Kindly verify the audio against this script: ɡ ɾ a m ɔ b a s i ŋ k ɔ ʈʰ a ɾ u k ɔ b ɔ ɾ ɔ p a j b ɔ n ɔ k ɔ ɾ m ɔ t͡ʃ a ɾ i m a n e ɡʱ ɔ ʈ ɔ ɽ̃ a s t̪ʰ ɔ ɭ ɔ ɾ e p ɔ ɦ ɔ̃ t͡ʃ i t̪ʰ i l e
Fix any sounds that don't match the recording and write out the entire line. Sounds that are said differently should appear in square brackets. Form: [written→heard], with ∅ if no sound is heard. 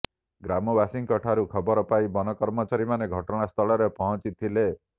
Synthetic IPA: ɡ ɾ a m ɔ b a s i ŋ k ɔ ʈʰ a ɾ u [k→kʰ] ɔ b ɔ ɾ ɔ p a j b ɔ n ɔ k ɔ ɾ m ɔ t͡ʃ a ɾ i m a n e ɡʱ ɔ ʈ ɔ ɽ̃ a s t̪ʰ ɔ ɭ ɔ ɾ e p ɔ ɦ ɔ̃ t͡ʃ i t̪ʰ i l e